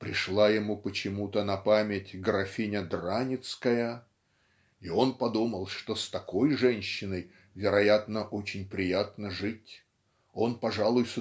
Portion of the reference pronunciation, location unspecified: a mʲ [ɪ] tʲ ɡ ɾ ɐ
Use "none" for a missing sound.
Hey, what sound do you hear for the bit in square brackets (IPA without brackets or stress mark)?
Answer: ɪ